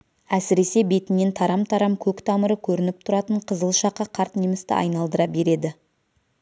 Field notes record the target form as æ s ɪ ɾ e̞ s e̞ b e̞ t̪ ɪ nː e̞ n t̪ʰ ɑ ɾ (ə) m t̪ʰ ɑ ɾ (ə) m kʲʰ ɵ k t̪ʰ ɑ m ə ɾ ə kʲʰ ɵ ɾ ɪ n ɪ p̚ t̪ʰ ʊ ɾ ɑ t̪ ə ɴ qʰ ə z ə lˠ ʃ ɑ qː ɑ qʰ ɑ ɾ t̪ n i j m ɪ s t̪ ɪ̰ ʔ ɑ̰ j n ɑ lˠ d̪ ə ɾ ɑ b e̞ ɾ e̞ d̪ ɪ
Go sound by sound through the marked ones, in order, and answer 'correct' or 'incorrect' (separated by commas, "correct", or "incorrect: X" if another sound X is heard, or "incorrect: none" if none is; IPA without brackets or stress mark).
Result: incorrect: ɑ, incorrect: ɑ